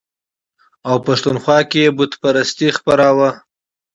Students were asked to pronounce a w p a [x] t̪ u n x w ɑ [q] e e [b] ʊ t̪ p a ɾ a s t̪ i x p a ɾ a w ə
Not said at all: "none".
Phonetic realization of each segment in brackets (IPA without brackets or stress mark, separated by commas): ʂ, k, b